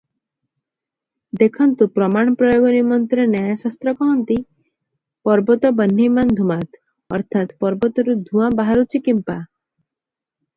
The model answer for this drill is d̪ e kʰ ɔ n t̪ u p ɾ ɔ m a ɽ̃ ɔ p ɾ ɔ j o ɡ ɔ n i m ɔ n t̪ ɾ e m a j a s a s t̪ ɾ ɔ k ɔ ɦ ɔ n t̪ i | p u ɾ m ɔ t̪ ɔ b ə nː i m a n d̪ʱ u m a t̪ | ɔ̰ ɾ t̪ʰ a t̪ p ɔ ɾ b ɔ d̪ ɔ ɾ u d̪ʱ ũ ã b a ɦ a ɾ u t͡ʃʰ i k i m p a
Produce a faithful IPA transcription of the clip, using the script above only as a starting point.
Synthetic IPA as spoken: d̪ e kʰ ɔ n t̪ u p ɾ ɔ m a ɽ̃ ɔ p ɾ ɔ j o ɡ ɔ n i m ɔ n t̪ ɾ e n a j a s a s t̪ ɾ ɔ k ɔ ɦ ɔ n t̪ i | p ɔ ɾ b ɔ t̪ ɔ b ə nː i m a n d̪ʱ u m a t̪ | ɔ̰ ɾ t̪ʰ a t̪ p ɔ ɾ b ɔ t̪ ɔ ɾ u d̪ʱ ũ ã b a ɦ a ɾ u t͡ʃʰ i k i m p a